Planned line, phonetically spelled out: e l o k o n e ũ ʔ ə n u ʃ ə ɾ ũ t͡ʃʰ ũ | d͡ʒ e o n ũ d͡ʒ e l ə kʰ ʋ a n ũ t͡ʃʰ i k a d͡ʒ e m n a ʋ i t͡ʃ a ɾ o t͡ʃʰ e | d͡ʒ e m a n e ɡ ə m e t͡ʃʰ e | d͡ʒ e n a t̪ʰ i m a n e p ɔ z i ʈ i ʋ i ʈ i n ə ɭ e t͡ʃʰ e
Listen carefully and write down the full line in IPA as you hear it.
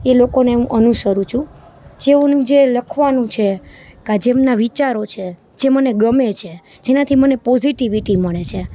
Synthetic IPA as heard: e l o k o n e ũ ʔ ə n u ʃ ə ɾ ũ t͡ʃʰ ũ | d͡ʒ e o n ũ d͡ʒ e l ə kʰ ʋ a n ũ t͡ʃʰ e k a d͡ʒ e m n a ʋ i t͡ʃ a ɾ o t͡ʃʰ e | d͡ʒ e m ə n e ɡ ə m e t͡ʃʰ e | d͡ʒ e n a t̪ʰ i m ə n e p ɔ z i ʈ i ʋ i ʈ i m ə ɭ e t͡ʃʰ e